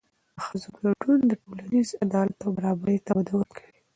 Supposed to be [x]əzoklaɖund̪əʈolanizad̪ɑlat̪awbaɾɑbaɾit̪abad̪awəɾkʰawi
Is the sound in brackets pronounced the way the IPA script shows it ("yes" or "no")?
yes